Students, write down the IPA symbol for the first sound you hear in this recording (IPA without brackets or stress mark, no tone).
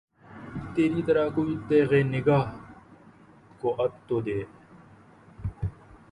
t̪